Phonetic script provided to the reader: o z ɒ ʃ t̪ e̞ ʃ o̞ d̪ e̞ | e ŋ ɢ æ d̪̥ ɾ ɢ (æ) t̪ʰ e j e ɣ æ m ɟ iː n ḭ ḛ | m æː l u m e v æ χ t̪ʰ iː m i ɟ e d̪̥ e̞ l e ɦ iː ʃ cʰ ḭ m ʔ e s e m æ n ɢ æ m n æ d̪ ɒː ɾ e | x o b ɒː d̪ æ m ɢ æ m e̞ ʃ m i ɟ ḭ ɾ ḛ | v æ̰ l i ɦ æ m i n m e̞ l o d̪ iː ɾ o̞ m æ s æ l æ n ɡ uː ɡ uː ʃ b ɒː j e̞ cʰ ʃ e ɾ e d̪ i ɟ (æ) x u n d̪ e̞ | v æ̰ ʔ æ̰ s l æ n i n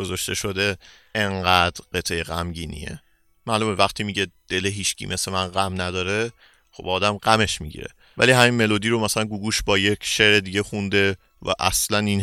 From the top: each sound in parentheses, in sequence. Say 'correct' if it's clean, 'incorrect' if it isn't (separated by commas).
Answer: incorrect, incorrect